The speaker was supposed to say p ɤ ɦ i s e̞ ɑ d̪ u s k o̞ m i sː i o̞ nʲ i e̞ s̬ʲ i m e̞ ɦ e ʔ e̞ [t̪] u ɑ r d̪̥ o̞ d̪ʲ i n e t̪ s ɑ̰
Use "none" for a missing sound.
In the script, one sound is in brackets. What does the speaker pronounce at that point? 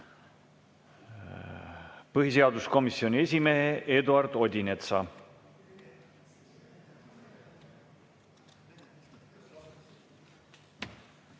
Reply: d̪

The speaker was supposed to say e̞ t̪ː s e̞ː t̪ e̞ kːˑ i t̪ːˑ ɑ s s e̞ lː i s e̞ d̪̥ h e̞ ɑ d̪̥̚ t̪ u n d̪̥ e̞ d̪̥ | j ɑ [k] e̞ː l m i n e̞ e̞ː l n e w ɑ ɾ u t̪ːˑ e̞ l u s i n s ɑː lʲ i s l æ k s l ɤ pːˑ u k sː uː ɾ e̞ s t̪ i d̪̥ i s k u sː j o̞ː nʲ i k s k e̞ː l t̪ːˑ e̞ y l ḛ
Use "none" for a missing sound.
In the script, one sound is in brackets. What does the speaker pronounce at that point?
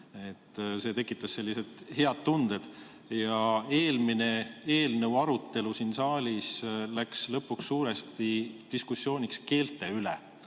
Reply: none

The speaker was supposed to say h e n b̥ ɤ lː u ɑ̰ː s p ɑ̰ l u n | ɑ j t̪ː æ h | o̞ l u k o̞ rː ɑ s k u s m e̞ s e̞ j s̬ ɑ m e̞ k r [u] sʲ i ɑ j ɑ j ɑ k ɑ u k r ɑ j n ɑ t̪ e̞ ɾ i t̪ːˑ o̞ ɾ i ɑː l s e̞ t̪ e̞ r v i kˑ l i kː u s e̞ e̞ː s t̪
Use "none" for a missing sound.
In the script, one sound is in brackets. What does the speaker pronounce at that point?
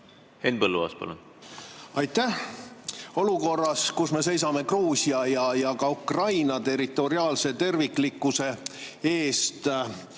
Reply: uː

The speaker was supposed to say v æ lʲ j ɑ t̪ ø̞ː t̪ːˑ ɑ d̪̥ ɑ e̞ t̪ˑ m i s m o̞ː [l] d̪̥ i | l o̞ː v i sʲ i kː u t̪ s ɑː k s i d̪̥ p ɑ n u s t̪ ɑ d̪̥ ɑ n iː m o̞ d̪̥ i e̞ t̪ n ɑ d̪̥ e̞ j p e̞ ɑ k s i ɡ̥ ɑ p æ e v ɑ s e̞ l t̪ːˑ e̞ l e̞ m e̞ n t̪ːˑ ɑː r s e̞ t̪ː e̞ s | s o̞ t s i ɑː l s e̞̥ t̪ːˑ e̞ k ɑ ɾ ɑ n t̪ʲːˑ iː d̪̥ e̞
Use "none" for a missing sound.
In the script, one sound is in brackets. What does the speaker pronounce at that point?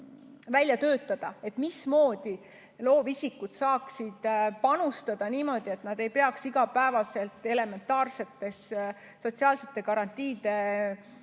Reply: none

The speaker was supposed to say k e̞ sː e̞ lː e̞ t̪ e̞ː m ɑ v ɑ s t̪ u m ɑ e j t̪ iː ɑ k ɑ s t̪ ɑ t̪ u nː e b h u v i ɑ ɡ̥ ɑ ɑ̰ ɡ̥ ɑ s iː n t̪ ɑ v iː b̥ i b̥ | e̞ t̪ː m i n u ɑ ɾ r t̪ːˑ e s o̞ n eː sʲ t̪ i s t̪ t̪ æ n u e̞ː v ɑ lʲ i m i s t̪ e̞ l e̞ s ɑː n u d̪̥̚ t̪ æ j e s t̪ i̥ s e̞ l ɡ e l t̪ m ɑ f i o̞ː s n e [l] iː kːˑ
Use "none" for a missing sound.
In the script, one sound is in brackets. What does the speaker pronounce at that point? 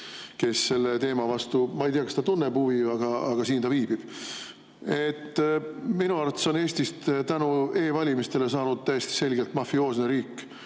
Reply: ɾ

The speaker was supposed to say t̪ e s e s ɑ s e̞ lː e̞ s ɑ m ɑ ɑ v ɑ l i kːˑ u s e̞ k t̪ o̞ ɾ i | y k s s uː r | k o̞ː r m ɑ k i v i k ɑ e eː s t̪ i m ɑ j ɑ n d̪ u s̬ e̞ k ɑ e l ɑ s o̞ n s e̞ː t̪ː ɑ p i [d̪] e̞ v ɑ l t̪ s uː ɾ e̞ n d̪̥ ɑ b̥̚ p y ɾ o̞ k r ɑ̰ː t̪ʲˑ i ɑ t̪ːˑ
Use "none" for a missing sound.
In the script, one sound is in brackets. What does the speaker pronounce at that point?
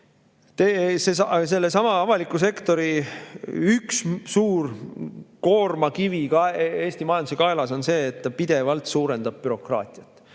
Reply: d̪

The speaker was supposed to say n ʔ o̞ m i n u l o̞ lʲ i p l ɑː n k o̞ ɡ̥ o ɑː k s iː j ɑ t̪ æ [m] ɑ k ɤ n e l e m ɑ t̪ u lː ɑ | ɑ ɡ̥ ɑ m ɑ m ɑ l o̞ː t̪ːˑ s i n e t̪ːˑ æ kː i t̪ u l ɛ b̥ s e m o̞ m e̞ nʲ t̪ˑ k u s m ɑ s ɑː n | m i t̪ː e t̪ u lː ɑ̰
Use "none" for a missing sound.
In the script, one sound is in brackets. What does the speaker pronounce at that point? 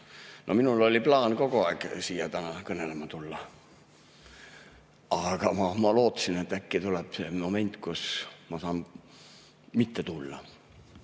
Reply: n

